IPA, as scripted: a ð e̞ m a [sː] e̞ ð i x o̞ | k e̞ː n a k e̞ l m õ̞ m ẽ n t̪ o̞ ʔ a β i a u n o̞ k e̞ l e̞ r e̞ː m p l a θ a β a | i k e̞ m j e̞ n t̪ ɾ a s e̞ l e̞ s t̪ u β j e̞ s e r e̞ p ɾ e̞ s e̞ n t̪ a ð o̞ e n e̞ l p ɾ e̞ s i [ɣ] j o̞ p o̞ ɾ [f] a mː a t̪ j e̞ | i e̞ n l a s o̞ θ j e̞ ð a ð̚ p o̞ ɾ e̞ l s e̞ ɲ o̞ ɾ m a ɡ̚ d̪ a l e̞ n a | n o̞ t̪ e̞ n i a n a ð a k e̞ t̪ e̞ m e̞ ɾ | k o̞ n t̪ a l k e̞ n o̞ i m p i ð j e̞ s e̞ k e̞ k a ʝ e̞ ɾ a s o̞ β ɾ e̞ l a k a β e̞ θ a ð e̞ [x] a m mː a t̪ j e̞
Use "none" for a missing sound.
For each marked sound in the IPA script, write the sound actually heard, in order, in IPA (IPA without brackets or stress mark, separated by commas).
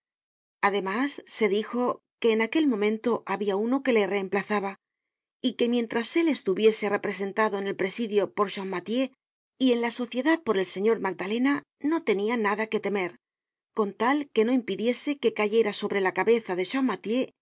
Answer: sː, ð, ʃ, ʃ